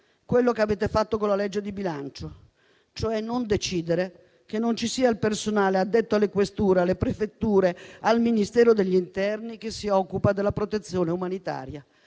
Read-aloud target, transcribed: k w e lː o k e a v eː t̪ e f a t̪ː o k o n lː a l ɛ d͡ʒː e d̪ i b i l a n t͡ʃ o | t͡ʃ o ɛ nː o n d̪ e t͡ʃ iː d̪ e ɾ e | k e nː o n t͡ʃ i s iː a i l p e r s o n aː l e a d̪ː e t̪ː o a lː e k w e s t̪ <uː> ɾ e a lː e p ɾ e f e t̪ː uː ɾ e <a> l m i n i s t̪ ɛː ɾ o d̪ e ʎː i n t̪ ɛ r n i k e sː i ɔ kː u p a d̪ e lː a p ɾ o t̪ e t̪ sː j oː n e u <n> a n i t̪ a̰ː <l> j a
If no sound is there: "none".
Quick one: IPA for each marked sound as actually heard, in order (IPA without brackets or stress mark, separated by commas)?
uː, a, m, ɾ